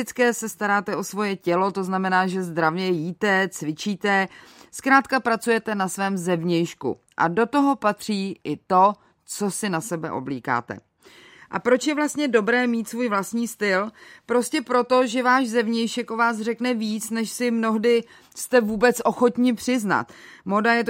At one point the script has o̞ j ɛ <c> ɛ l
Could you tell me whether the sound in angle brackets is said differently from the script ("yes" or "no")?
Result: no